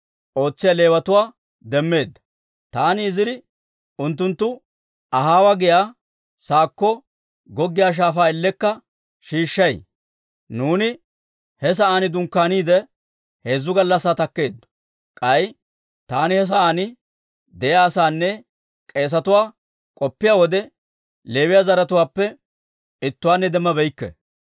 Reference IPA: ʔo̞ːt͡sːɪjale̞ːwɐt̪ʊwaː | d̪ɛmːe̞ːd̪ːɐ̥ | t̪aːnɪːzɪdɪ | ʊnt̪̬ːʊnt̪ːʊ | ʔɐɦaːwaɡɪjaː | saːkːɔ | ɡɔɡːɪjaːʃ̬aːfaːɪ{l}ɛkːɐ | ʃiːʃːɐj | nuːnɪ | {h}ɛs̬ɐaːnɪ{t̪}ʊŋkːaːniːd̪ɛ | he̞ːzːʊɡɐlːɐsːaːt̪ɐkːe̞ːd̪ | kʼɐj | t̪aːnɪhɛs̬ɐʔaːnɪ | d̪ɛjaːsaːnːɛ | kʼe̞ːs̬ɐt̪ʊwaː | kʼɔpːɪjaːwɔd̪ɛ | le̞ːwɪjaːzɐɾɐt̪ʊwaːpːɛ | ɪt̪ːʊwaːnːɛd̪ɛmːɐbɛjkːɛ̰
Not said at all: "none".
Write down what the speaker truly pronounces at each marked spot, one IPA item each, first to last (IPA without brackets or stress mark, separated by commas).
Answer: lː, h, d̪